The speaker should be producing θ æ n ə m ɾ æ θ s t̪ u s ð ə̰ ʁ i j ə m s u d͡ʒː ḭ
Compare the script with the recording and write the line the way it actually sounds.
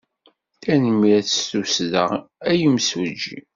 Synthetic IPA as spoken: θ æ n ə m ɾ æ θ s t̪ u s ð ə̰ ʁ æ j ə m s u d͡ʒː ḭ